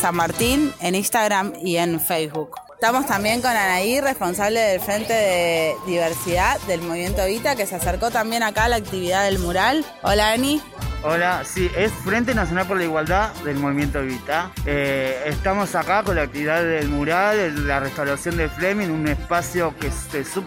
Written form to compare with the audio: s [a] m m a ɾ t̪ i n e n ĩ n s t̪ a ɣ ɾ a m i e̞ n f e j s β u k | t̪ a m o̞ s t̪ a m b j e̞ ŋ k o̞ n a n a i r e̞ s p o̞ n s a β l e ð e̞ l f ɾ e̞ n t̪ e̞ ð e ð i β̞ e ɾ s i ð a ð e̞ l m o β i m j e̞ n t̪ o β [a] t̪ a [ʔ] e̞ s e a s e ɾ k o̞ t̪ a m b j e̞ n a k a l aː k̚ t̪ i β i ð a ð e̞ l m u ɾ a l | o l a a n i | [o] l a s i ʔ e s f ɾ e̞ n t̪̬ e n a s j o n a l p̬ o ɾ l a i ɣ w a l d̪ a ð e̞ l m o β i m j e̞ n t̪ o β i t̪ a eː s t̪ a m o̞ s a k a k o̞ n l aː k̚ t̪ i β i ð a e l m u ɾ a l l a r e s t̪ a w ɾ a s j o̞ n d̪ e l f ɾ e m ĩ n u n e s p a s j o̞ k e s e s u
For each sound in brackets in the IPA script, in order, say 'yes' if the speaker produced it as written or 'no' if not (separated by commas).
yes, no, no, yes